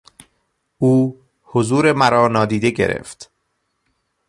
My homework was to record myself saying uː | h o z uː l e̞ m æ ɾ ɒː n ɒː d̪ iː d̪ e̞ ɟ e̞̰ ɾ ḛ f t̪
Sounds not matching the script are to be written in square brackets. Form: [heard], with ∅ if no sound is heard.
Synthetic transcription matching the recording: uː | h o z uː [ɾ] e̞ m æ ɾ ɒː n ɒː d̪ iː d̪ e̞ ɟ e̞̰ ɾ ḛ f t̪